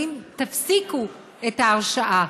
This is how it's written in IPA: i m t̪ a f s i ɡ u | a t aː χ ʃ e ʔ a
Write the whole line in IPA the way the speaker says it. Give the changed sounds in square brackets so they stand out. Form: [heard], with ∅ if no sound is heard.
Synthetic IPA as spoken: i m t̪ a f s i [k] u | [e] t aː [ʁ] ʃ [a] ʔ a